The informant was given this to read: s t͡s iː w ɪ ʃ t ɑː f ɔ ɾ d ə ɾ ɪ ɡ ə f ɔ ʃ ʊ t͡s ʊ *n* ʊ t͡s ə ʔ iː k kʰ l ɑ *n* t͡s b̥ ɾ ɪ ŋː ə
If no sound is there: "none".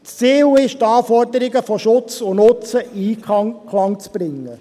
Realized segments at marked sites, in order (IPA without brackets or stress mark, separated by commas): n, ŋ